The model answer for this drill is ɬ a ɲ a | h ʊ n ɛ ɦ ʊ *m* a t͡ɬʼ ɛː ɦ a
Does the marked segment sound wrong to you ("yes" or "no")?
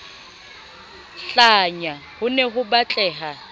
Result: yes